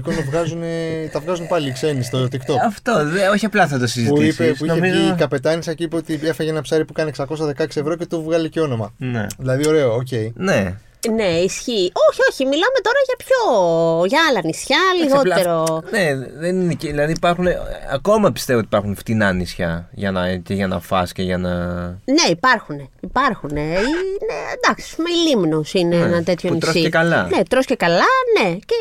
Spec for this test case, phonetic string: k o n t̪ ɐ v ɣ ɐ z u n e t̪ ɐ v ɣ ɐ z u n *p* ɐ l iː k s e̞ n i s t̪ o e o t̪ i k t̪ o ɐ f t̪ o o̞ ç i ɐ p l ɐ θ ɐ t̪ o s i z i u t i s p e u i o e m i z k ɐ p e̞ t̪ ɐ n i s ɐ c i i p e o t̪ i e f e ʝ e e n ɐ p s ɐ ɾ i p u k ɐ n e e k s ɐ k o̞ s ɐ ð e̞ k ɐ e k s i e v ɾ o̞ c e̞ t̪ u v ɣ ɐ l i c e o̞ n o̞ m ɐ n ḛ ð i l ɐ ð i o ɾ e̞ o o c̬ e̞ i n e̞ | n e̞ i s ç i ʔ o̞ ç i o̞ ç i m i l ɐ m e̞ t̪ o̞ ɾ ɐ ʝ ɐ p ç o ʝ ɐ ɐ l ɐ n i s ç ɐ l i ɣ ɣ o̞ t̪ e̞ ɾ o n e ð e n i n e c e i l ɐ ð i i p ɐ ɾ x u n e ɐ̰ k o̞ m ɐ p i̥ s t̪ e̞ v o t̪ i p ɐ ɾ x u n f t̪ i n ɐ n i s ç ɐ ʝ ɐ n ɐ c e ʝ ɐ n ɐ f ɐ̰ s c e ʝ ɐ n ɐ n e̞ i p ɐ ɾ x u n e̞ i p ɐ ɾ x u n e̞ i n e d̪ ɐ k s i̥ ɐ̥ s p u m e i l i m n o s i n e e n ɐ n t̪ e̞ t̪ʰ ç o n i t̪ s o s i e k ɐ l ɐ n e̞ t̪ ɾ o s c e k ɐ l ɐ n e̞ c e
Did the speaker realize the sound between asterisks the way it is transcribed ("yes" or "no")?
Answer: yes